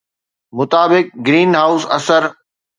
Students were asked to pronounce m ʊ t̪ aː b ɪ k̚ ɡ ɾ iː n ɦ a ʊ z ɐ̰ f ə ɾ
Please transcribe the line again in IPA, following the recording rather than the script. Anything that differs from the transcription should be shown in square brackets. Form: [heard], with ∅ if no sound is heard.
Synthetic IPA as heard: m ʊ t̪ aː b ɪ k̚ ɡ ɾ iː n ɦ a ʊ [s] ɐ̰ [s] ə ɾ